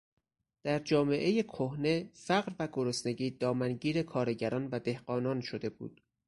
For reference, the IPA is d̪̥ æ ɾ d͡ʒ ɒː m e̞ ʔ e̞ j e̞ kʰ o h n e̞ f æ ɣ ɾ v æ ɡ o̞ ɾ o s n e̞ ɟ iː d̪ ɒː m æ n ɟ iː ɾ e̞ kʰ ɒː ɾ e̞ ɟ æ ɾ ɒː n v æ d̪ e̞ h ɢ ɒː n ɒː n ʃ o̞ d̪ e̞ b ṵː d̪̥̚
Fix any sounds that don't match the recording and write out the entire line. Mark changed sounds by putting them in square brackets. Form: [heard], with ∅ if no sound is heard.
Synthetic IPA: d̪̥ æ ɾ d͡ʒ ɒː m e̞ ʔ e̞ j e̞ kʰ o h n e̞ f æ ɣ ɾ v æ ɡ o̞ ɾ o s n e̞ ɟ iː d̪ ɒː m æ n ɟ iː ɾ e̞ kʰ ɒː ɾ e̞ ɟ æ ɾ ɒː n v æ d̪ e̞ h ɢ ɒː n ɒː n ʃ o̞ d̪ e̞ b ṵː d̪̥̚